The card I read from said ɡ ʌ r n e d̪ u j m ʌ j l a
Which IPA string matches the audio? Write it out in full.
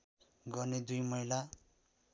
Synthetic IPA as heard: ɡ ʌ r n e d̪ u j m ʌ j l a